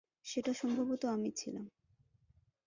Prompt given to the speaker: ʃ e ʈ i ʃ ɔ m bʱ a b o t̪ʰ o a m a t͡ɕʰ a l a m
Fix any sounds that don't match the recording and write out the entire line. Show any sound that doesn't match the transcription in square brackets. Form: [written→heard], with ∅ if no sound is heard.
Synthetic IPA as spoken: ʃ e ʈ [i→a] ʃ ɔ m bʱ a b o [t̪ʰ→t̪] o a m [a→i] t͡ɕʰ [a→i] l a m